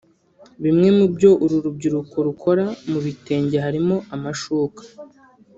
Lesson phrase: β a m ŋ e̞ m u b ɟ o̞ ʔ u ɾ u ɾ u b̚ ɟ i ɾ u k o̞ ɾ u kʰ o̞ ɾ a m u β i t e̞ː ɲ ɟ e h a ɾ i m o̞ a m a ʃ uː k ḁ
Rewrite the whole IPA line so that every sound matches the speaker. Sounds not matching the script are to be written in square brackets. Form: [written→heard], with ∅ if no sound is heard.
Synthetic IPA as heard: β [a→i] m ŋ e̞ m u b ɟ o̞ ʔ u ɾ u ɾ u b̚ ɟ i ɾ u k o̞ ɾ u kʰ o̞ ɾ a m u β i t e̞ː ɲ ɟ e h a ɾ i m o̞ a m a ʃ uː k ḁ

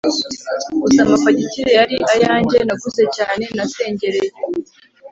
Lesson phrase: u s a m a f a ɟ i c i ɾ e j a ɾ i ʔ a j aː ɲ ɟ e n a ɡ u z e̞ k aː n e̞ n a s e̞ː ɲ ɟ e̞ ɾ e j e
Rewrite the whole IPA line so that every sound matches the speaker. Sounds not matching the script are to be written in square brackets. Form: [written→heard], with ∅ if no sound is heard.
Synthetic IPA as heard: u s a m a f a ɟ i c i ɾ e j a ɾ i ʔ a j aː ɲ ɟ e n a ɡ u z e̞ [k→c] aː n e̞ n a s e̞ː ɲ ɟ e̞ ɾ e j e

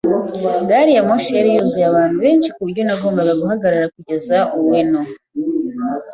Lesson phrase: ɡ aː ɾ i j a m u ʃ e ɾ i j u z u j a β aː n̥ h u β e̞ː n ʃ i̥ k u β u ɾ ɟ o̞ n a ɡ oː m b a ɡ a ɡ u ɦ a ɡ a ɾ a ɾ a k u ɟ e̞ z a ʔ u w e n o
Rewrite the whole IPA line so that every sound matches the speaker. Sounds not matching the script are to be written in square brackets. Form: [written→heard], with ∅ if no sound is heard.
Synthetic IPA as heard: ɡ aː ɾ i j a m [u→o] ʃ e ɾ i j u z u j a β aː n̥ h u β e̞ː n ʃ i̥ k u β u ɾ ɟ o̞ n a ɡ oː m b a ɡ a ɡ u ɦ a ɡ a ɾ a ɾ a k u ɟ e̞ z a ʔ u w e n o

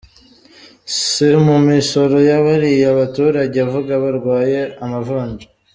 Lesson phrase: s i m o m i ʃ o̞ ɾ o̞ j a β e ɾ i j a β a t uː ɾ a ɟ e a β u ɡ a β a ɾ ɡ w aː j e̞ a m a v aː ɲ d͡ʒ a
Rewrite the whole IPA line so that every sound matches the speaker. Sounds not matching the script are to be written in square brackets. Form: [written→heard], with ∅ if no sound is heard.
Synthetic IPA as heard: s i m [o→u] m i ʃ o̞ ɾ o̞ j a β [e→a] ɾ i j a β a t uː ɾ a ɟ e a [β→v] u ɡ a β a ɾ ɡ w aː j e̞ a m a v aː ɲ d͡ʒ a

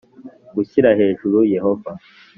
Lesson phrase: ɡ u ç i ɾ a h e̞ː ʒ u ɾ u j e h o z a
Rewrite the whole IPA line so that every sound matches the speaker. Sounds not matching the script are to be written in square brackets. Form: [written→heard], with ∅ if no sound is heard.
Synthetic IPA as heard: ɡ u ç i ɾ a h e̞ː ʒ u ɾ u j e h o [z→v] a

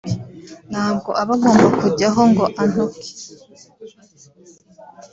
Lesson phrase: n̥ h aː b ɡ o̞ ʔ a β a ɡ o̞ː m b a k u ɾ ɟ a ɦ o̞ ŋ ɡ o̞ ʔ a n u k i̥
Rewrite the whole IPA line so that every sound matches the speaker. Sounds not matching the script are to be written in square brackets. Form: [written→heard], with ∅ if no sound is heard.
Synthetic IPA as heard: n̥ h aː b ɡ o̞ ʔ a β a ɡ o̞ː m b a k u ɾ ɟ a ɦ o̞ ŋ ɡ o̞ ʔ a n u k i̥

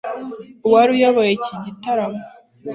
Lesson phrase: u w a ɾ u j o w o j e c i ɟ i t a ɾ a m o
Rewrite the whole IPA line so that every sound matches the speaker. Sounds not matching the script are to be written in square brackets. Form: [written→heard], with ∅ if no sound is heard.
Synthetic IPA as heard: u w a ɾ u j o [w→β] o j e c i ɟ i t a ɾ a m o

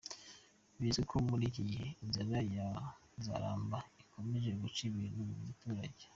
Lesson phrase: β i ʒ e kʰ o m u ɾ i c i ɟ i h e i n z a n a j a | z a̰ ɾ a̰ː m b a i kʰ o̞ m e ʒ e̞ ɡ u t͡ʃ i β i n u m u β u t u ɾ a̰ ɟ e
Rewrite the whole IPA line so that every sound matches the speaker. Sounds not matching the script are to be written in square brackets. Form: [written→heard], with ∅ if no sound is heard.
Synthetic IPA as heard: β i [ʒ→z] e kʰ o m u ɾ i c i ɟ i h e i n z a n a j a | z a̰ ɾ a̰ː m b a i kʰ o̞ m e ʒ e̞ ɡ u t͡ʃ i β i n u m u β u t u ɾ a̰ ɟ e

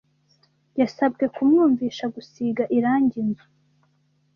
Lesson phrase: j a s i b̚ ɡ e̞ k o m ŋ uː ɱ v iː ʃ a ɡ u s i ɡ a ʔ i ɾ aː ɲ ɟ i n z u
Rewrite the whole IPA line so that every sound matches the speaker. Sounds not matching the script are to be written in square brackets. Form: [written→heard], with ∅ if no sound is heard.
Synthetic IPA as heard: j a s [i→a] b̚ ɡ e̞ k [o→u] m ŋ uː ɱ v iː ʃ a ɡ u s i ɡ a ʔ i ɾ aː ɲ ɟ i n z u

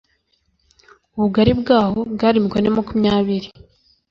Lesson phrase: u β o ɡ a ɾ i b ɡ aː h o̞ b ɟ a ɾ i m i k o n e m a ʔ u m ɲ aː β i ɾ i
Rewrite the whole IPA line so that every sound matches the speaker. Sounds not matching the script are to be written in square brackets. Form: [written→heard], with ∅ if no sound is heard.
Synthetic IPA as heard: u β [o→u] ɡ a ɾ i b ɡ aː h o̞ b [ɟ→ɡ] a ɾ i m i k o n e m a [ʔ→k] u m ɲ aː β i ɾ i

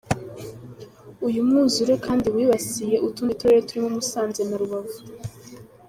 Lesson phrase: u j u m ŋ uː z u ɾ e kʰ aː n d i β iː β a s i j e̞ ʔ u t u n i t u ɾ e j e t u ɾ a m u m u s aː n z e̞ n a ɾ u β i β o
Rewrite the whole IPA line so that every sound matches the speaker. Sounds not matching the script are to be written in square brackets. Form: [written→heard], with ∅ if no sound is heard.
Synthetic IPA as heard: u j u m ŋ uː z u ɾ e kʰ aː n d i [β→w] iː β a s i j e̞ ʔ u t u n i t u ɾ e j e t u ɾ [a→i] m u m u s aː n z e̞ n a ɾ u β [i→a] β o

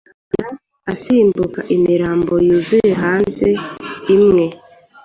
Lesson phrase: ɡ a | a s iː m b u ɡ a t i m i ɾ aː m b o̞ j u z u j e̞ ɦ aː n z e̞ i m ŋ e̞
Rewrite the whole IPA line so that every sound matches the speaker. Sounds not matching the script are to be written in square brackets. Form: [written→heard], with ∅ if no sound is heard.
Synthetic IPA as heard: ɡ a | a s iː m b u [ɡ→k] a [t→ʔ] i m i ɾ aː m b o̞ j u z u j e̞ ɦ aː n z e̞ i m ŋ e̞

